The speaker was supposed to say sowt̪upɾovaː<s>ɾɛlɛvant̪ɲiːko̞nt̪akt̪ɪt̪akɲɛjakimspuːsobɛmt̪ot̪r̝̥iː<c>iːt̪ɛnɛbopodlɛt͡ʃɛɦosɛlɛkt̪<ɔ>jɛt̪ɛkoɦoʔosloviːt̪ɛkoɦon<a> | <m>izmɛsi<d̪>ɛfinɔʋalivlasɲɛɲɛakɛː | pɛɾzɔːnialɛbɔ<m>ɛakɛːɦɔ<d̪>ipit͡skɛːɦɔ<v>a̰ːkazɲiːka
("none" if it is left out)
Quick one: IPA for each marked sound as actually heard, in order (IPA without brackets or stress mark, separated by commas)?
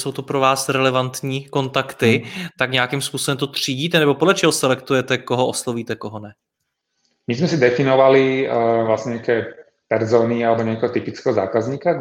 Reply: s, ɟ, u, ɛ, m, d̪, ɲ, t̪, z